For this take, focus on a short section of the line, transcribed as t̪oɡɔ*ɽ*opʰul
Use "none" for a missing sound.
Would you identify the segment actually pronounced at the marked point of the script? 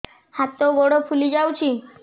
ɽ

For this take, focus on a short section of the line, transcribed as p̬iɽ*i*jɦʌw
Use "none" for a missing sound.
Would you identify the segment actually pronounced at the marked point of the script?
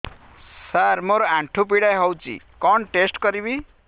a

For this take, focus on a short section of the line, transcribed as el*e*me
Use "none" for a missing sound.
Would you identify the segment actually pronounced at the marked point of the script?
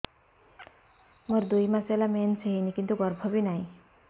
a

